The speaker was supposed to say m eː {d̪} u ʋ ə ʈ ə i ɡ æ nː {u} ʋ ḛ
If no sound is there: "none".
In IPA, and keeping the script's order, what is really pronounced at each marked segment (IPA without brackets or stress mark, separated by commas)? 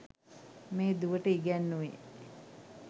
d̪, u